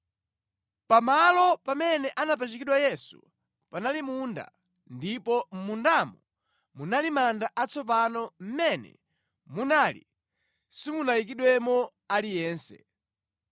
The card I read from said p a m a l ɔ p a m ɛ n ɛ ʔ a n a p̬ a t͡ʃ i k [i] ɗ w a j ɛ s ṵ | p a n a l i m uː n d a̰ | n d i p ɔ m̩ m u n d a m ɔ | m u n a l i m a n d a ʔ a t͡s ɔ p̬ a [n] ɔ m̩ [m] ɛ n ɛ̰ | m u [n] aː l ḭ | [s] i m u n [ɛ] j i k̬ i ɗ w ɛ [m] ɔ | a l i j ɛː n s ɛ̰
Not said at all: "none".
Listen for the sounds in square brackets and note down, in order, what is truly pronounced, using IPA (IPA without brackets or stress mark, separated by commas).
i, n, m, n, s, a, m